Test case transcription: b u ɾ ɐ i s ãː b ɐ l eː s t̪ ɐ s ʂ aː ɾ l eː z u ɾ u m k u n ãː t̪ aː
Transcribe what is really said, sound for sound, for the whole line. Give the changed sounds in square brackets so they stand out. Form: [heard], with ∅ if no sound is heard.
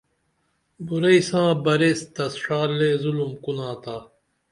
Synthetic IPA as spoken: b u ɾ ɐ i s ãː b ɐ [ɾ] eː s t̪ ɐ s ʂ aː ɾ l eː z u [l] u m k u n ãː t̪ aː